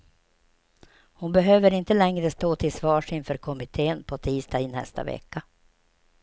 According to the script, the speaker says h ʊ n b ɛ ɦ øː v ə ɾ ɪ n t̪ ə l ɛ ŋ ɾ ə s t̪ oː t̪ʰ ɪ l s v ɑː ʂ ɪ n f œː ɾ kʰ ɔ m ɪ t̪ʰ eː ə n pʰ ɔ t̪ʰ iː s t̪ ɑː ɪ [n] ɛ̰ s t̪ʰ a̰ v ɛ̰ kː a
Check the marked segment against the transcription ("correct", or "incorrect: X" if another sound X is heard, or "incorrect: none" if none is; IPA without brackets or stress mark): correct